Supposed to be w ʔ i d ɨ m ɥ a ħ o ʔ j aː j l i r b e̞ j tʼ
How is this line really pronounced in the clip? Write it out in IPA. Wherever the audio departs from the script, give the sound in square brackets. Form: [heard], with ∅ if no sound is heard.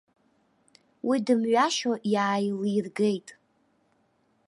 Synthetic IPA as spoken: w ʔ i d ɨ m ɥ a [ʃ] o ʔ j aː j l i r [ɡ] e̞ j tʼ